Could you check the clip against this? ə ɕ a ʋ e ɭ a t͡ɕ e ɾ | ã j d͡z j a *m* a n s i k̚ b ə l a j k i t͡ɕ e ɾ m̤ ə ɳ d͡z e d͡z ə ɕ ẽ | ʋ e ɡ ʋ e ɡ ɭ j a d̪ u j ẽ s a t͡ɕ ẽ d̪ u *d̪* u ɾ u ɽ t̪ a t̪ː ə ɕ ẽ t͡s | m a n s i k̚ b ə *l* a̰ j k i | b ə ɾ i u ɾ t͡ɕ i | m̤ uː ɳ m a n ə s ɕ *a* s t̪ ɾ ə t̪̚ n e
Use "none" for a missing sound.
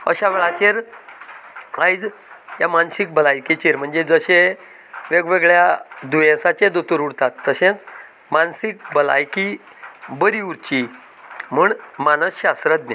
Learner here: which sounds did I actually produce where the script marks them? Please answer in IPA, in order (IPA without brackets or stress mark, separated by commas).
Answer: m, t̪, l, a